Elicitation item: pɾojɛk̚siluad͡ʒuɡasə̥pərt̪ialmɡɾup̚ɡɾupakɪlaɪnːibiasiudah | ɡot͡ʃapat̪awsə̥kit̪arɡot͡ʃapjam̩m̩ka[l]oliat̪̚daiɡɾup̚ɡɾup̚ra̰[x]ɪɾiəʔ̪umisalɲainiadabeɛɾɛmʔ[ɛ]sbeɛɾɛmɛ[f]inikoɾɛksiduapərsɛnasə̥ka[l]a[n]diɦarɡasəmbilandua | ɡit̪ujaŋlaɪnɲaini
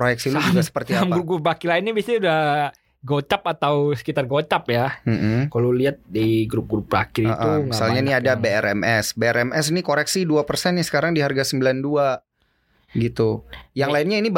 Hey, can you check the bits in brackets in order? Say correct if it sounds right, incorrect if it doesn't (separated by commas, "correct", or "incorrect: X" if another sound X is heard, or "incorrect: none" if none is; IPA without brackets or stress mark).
correct, incorrect: k, correct, incorrect: s, incorrect: ɾ, incorrect: ŋ